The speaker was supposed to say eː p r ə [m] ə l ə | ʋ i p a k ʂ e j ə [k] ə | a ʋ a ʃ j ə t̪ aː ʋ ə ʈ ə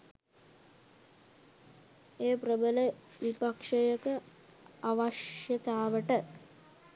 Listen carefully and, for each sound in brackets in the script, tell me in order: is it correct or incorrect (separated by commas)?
incorrect, correct